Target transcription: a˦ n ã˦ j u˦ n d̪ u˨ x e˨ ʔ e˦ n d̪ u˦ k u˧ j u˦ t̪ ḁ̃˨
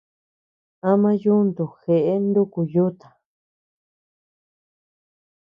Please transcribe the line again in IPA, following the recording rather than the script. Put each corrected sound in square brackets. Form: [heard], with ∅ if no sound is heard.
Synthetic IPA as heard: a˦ [m] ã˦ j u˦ n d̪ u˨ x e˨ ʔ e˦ n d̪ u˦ k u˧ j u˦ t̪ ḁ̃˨